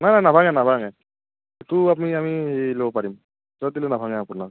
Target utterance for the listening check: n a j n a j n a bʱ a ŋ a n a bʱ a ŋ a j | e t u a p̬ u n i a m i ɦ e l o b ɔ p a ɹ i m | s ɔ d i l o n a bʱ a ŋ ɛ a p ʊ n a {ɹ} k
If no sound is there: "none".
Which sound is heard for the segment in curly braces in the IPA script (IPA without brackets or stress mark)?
none